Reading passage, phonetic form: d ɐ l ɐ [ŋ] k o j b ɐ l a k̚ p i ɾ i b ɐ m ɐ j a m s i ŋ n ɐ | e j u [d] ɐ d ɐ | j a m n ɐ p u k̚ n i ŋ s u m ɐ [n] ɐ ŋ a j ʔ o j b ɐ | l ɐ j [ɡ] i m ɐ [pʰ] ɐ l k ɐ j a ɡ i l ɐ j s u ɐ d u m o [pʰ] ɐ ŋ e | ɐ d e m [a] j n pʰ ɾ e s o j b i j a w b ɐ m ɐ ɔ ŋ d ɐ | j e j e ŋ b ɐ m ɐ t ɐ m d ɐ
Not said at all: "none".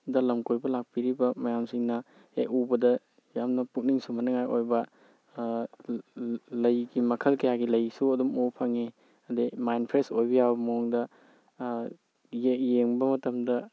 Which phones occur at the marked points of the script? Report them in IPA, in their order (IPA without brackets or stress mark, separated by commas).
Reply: m, b, n, ɡ, kʰ, pʰ, a